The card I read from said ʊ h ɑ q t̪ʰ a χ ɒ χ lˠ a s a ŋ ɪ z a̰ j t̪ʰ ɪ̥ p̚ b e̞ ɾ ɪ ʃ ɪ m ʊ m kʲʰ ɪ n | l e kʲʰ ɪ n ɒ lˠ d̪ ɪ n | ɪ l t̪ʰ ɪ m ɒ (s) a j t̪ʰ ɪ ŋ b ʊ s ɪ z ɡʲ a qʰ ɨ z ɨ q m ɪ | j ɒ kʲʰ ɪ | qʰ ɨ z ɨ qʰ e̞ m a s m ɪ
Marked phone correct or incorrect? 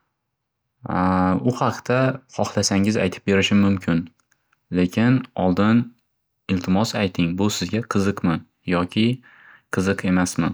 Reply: correct